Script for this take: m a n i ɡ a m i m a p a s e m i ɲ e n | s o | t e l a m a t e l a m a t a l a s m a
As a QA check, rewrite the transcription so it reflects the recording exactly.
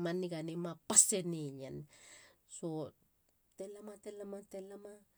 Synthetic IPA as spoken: m a n i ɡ a n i m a p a s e n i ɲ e n | s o | t e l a m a t e l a m a t e l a m a